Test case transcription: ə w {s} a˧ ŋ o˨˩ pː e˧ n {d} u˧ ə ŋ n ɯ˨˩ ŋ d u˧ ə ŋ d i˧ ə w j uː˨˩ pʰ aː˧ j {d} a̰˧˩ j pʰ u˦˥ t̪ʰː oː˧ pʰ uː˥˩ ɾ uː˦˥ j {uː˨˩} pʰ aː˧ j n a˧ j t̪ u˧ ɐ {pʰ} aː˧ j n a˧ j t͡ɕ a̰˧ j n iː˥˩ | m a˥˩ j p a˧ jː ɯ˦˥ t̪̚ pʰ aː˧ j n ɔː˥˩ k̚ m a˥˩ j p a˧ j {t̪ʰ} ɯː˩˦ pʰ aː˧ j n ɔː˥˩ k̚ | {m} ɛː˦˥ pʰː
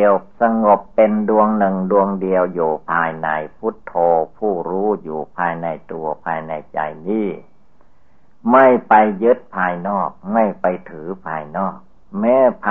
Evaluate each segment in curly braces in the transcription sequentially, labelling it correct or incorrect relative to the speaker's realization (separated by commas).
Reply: correct, correct, incorrect, correct, correct, correct, correct